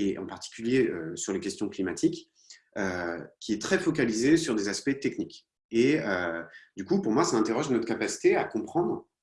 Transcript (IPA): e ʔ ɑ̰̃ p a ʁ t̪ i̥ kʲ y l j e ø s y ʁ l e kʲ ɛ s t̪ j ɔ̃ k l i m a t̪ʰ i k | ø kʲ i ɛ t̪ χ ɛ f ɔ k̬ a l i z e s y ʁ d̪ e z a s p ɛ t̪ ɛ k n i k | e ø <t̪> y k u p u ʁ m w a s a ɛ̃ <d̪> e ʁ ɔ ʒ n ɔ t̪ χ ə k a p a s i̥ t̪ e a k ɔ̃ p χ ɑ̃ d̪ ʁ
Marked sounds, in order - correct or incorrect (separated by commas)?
incorrect, incorrect